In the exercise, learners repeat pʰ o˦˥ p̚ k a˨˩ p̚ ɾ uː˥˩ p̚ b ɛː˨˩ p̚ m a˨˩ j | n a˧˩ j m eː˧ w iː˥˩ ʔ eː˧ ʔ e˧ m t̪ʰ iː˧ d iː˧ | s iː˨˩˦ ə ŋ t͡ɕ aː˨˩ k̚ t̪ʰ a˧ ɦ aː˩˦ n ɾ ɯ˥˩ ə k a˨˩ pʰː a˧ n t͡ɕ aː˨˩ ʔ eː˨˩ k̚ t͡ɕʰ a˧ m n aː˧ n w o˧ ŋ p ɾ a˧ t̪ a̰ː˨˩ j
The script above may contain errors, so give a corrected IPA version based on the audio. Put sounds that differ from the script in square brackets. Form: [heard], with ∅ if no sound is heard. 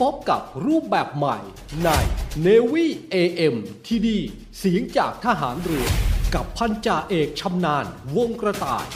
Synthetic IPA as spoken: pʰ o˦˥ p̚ k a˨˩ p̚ ɾ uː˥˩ p̚ b ɛː˨˩ p̚ m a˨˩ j | n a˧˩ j [n] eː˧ w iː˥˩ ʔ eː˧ ʔ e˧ m t̪ʰ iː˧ d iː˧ | s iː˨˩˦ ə ŋ t͡ɕ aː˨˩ k̚ t̪ʰ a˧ ɦ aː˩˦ n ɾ [ɯ˨˩˦] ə k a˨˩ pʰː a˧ n t͡ɕ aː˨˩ ʔ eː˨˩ k̚ t͡ɕʰ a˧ m n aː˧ n w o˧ ŋ [k] ɾ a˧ t̪ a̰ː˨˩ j